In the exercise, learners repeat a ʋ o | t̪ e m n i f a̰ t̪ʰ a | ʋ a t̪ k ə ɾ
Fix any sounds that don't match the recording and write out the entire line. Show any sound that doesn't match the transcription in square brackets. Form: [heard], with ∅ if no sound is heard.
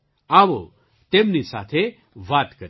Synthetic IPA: a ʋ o | t̪ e m n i [s] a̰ t̪ʰ [e] | ʋ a t̪ k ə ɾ

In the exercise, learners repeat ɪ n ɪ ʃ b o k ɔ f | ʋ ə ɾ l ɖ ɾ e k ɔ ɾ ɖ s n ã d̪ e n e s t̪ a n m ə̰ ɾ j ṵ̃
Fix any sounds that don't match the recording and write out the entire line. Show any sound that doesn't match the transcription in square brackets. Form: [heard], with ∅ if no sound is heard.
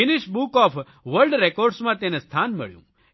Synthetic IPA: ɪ n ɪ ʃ b [u] k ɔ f | ʋ ə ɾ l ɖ ɾ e k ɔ ɾ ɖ s [m] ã [t̪] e n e s [t̪ʰ] a n m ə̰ [ɭ] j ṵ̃

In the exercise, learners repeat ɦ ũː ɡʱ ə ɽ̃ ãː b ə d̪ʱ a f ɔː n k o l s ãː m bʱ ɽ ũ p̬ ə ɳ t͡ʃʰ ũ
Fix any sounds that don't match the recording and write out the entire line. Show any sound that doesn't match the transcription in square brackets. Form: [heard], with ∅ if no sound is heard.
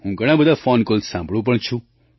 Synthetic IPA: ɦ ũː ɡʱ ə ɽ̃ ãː b ə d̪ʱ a f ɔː n k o l s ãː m bʱ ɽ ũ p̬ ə ɳ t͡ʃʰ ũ

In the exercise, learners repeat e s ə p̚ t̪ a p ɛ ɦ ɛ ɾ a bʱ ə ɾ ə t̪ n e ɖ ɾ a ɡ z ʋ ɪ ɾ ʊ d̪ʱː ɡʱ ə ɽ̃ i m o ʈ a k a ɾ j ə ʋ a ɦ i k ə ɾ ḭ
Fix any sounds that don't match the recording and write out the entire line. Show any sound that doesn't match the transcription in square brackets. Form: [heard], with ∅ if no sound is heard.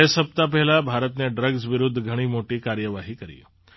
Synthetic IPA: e s ə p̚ t̪ a p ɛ ɦ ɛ [l] a bʱ [a] ɾ ə t̪ n e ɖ ɾ [ə] ɡ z ʋ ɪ ɾ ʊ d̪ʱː ɡʱ ə ɽ̃ i m o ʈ [i] k a ɾ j ə ʋ a ɦ i k ə ɾ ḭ

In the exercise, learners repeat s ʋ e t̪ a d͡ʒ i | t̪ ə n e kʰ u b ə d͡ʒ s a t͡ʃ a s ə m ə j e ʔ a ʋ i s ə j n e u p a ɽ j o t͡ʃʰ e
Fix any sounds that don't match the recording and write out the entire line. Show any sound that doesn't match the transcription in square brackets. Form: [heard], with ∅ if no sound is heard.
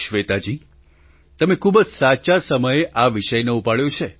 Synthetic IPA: [ʃ] ʋ e t̪ a d͡ʒ i | t̪ ə [m] e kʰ u b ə d͡ʒ s a t͡ʃ a s ə m ə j e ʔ a ʋ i [ʃ] ə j n e u p a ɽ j o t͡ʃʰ e

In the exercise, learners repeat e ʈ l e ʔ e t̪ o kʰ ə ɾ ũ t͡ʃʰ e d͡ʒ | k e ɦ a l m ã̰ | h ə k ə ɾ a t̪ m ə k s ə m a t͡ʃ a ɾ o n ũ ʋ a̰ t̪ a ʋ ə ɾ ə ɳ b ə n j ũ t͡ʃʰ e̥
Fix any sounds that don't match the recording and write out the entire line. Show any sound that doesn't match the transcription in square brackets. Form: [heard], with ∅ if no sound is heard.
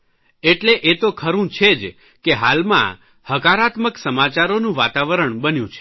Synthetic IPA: e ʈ l e ʔ e t̪ o kʰ ə ɾ ũ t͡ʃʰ e d͡ʒ | k e ɦ a l m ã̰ | h ə k [a] ɾ a t̪ m ə k s ə m a t͡ʃ a ɾ o n ũ ʋ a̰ t̪ a ʋ ə ɾ ə ɳ b ə n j ũ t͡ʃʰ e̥

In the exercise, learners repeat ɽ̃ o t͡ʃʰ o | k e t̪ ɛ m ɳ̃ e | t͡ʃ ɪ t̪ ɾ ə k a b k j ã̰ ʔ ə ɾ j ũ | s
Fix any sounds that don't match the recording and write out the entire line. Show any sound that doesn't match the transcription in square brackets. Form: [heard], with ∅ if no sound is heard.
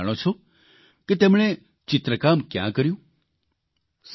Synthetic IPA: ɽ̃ o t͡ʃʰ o | k e t̪ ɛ m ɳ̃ e | t͡ʃ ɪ t̪ ɾ ə k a [m] k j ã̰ [k] ə ɾ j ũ | s

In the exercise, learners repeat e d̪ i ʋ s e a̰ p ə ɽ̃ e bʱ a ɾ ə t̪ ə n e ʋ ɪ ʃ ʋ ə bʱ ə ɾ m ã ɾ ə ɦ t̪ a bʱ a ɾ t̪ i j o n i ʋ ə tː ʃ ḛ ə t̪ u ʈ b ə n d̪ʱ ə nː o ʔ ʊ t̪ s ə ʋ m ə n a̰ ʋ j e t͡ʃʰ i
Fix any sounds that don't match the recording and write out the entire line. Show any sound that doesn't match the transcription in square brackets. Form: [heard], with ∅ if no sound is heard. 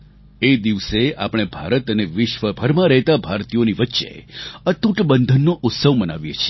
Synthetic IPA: e d̪ i ʋ s e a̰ p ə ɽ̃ e bʱ a ɾ ə t̪ ə n e ʋ ɪ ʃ ʋ ə bʱ ə ɾ m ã ɾ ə ɦ t̪ a bʱ a ɾ t̪ i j o n i ʋ ə tː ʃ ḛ ə t̪ u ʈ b ə n d̪ʱ ə nː o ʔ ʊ t̪ s ə ʋ m ə n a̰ ʋ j e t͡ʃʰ i

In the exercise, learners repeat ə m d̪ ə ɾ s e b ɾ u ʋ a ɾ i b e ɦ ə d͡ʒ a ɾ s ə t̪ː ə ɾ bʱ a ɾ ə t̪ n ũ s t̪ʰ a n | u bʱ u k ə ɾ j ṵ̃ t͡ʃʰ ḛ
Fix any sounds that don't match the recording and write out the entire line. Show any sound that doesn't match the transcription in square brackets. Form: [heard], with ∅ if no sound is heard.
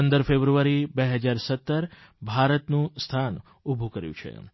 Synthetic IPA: ə [n] d̪ ə ɾ [f] e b ɾ u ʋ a ɾ i b e ɦ ə d͡ʒ a ɾ s ə t̪ː ə ɾ bʱ a ɾ ə t̪ n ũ s t̪ʰ a n | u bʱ u k ə ɾ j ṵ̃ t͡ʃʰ ḛ

